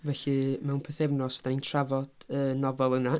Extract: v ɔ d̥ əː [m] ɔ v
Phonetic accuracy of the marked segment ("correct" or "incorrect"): incorrect